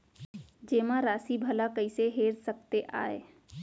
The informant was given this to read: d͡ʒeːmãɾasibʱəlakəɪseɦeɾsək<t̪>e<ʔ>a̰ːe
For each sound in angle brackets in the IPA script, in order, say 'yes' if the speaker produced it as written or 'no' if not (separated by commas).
yes, yes